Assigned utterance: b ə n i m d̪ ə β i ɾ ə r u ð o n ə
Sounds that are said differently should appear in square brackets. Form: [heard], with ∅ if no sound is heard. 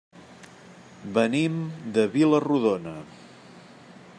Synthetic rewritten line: b ə n i m d̪ ə β i [l] ə r u ð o n ə